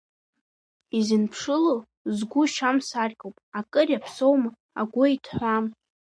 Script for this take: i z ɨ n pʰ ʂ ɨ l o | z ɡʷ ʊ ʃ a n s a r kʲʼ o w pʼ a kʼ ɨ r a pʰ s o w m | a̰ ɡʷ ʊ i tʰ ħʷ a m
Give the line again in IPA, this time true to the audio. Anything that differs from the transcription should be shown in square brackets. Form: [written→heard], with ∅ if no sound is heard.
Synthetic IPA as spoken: i z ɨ n pʰ ʂ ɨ l o | z ɡʷ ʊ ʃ a [n→m] s a r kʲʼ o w pʼ a kʼ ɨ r a pʰ s o w m | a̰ ɡʷ ʊ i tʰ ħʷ a m